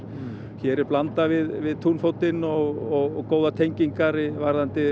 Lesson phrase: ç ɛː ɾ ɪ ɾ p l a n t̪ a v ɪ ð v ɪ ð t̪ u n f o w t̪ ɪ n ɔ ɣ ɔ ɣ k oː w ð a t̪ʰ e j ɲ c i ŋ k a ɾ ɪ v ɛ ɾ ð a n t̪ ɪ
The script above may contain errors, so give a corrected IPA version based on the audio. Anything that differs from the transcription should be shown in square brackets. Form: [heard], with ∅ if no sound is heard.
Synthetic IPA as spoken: ç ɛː ɾ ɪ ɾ p l a n t̪ a v ɪ ð v ɪ ð [t̪ʰ] u n f o w t̪ ɪ n ɔ ɣ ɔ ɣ k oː w ð a t̪ʰ e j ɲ c i ŋ k a ɾ ɪ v [a] ɾ ð a n t̪ ɪ